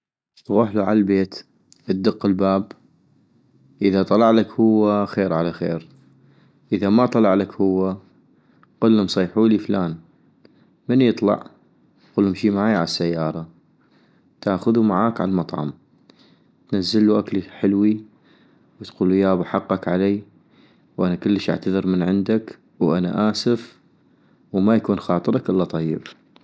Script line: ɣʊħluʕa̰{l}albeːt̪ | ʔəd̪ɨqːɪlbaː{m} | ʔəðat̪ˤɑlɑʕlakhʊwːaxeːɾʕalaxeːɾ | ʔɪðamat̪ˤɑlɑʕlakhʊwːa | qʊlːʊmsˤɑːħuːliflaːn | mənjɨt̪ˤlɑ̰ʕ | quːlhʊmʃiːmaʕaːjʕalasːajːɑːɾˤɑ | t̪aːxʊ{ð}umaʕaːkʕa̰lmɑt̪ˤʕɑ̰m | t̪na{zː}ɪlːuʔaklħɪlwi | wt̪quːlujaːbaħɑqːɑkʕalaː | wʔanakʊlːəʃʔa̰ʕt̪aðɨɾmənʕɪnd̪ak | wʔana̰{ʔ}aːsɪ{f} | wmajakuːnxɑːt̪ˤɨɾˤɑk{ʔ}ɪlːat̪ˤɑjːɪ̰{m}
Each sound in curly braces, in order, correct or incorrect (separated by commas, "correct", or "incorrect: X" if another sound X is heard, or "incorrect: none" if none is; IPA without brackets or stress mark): correct, incorrect: b, correct, correct, correct, correct, correct, incorrect: b